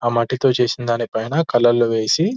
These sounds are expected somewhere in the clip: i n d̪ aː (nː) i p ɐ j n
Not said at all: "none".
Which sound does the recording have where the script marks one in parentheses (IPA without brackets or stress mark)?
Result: n